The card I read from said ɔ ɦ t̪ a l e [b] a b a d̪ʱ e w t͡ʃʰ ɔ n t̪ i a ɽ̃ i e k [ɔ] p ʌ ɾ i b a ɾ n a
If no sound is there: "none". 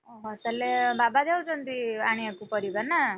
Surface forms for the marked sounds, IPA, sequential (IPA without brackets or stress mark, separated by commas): b, u